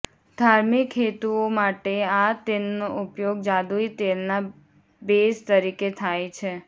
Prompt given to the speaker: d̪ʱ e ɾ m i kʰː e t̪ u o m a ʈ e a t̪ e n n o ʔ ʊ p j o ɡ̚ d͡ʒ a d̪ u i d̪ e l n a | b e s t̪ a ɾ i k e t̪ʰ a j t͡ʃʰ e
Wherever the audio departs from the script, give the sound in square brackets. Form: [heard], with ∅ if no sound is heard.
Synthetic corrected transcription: d̪ʱ [a] ɾ m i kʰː e t̪ u o m a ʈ e a t̪ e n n o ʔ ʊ p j o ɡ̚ d͡ʒ a d̪ u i [t̪] e l n a | b e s t̪ [ə] ɾ i k e t̪ʰ a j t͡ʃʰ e